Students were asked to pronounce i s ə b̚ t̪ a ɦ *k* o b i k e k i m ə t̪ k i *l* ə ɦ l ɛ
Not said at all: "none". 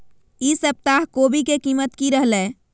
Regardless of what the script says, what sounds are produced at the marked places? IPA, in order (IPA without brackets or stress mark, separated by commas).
k, ɾ